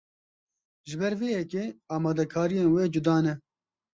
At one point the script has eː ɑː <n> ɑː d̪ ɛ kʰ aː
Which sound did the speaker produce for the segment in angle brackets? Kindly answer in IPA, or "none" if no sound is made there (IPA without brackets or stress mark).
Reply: m